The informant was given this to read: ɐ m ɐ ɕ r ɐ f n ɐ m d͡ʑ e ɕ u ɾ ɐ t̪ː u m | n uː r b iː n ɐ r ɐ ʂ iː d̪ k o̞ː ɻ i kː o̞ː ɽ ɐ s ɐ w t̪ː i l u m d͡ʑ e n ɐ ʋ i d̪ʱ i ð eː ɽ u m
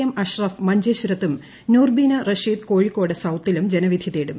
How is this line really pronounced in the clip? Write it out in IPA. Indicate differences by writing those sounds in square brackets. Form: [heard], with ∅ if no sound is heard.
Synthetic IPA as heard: ɐ m ɐ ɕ r ɐ f [m] ɐ [ɲ] d͡ʑ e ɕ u ɾ ɐ t̪ː u m | n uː r b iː n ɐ r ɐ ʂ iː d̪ k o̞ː ɻ i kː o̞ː ɽ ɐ s ɐ w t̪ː i l u m d͡ʑ e n ɐ ʋ i d̪ʱ i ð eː ɽ u m